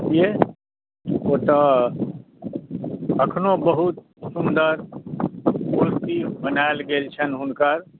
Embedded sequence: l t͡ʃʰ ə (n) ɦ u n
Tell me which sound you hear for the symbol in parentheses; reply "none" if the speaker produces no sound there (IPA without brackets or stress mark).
n